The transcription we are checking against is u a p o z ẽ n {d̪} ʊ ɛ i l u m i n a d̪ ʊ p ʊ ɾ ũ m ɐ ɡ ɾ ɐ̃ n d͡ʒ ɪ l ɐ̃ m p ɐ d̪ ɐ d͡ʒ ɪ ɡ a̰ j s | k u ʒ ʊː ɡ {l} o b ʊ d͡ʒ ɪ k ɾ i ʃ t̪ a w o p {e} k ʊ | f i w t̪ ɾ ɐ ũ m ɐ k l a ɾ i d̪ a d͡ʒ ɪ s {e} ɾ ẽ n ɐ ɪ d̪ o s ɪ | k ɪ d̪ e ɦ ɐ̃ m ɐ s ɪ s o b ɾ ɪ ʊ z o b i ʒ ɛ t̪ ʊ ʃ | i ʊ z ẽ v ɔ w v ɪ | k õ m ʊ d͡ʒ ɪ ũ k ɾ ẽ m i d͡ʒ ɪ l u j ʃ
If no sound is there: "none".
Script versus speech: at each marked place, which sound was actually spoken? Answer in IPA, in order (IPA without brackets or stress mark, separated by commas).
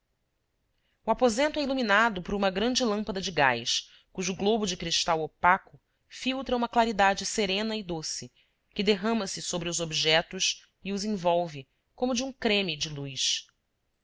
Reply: t̪, l, a, e